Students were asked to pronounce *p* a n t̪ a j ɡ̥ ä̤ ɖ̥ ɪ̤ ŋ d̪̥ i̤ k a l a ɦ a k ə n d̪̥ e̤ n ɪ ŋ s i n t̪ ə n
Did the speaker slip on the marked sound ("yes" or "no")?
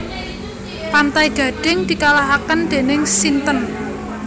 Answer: no